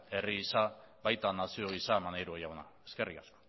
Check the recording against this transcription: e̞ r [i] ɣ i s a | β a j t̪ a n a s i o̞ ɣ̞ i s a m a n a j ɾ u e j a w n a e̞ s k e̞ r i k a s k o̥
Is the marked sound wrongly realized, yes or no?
no